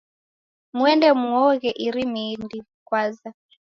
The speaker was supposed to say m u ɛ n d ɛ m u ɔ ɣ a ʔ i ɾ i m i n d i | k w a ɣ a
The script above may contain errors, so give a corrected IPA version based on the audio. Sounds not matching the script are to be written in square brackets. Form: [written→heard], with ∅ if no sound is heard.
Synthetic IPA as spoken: m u ɛ n d ɛ m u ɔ ɣ [a→ɛ] ʔ i ɾ i m i n d i | k w a [ɣ→z] a